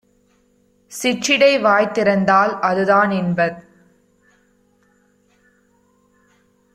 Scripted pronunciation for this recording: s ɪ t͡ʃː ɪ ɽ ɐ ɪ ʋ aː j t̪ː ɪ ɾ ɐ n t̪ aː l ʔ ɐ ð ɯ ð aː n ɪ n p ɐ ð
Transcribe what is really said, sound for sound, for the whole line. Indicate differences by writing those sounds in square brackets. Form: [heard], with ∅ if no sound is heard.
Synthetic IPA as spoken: s ɪ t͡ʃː ɪ ɽ ɐ ɪ ʋ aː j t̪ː ɪ ɾ ɐ n [d̪] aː l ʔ ɐ ð ɯ ð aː n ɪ n [b] ɐ ð